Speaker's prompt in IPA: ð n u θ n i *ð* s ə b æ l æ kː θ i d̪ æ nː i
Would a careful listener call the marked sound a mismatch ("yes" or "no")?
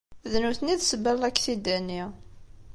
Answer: no